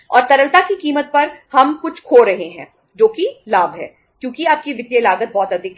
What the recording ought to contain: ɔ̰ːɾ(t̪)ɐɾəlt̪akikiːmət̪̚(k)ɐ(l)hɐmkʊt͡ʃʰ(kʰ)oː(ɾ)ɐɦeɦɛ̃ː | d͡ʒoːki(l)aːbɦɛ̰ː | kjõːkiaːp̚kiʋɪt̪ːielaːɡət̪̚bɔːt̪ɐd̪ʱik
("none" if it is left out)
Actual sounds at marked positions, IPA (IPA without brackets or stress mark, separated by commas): t̪, p, ɾ, kʰ, ɾ, l